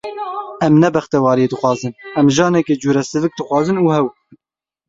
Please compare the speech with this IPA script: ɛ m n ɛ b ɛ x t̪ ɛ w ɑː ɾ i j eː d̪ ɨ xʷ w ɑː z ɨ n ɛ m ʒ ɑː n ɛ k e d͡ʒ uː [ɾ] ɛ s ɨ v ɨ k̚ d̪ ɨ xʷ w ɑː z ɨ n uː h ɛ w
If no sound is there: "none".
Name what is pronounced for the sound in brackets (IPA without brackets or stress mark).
ɾ